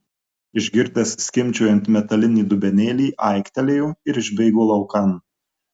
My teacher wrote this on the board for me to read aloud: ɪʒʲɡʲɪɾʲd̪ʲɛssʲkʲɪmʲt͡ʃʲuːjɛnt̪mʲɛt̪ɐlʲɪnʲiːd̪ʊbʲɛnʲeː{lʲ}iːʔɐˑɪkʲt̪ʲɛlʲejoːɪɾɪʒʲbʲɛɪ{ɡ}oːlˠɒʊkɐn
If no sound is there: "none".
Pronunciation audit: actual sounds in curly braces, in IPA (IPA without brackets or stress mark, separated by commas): lʲ, ɡ